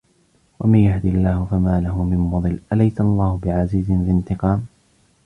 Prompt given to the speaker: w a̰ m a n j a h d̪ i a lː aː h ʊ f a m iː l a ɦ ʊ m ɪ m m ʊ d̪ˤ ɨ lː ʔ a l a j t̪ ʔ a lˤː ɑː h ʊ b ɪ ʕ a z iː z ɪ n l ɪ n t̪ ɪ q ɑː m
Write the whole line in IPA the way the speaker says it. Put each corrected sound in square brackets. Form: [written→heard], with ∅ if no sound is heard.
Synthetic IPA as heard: w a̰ m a n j a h d̪ i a lː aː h ʊ f a m [iː→aː] l a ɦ ʊ m ɪ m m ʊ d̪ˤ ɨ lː ʔ a l a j t̪ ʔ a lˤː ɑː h ʊ b ɪ ʕ a z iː z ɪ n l ɪ n t̪ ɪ q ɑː m